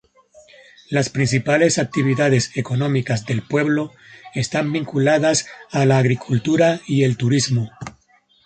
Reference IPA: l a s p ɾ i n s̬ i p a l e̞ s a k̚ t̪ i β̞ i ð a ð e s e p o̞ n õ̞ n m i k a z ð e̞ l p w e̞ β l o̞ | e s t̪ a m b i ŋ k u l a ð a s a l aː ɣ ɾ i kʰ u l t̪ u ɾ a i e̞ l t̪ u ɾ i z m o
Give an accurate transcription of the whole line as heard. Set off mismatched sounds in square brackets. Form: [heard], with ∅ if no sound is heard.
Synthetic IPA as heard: l a s p ɾ i n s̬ i p a l e̞ s a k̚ t̪ i β̞ i ð a ð e s e [k] o̞ n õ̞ [∅] m i k a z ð e̞ l p w e̞ β l o̞ | e s t̪ a m b i ŋ k u l a ð a s a l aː ɣ ɾ i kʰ u l t̪ u ɾ a i e̞ l t̪ u ɾ i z m o